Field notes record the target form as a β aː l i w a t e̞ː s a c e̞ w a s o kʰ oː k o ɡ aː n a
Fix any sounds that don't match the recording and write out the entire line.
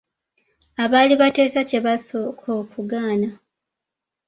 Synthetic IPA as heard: a β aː l i β a t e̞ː s a c e̞ β a s o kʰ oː k u ɡ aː n a